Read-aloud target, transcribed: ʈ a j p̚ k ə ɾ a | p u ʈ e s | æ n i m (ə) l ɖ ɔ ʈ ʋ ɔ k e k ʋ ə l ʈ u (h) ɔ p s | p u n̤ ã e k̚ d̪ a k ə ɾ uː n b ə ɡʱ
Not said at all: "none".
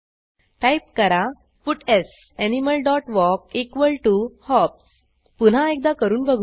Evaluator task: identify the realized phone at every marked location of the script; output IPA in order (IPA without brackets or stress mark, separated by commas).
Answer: ə, h